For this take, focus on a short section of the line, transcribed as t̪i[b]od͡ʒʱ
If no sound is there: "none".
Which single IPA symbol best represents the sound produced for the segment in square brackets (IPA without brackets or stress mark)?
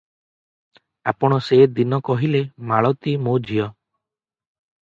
m